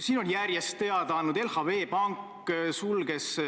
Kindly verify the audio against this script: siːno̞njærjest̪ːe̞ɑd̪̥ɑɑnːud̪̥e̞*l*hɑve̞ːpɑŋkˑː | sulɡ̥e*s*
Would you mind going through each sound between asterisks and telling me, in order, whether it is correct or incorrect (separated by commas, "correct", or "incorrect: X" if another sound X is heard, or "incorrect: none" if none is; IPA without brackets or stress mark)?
correct, correct